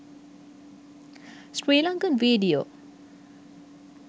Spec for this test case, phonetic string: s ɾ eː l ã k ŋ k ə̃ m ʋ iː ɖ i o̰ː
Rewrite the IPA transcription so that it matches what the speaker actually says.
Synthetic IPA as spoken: s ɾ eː l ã ŋ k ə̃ n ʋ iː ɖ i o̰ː